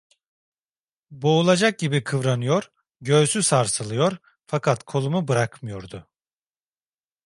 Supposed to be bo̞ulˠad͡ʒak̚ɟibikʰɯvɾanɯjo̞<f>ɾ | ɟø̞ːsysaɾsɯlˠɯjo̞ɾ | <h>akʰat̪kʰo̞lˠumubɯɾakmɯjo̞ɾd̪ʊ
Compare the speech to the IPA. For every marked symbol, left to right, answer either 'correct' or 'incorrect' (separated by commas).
incorrect, incorrect